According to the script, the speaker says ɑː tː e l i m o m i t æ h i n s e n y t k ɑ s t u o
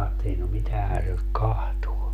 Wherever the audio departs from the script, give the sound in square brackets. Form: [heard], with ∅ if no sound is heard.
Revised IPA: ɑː tː e l i [n] o m i t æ h [æ] n s e n y t k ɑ [h] t u o